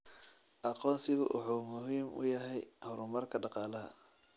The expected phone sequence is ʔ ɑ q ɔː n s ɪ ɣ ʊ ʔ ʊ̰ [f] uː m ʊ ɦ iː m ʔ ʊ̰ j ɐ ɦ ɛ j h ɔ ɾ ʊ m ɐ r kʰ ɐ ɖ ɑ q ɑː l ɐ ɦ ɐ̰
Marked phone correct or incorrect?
incorrect: ħ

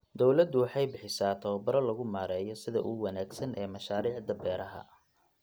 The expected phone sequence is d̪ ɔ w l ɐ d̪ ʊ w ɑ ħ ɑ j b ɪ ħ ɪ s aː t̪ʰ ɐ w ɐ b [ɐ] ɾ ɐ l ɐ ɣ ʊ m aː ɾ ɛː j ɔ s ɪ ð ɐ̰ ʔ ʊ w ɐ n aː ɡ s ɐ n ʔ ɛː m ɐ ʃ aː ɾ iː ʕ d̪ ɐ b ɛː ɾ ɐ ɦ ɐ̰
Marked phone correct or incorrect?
correct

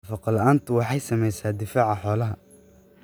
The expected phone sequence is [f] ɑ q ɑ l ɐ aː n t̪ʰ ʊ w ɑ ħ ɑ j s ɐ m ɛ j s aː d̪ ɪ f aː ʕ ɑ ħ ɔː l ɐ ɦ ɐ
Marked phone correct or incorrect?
correct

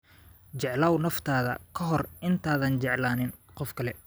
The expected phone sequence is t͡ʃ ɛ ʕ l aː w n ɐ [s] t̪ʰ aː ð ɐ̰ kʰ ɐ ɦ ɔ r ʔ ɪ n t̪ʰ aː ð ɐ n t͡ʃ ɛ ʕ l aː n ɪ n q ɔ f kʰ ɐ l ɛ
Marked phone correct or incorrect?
incorrect: f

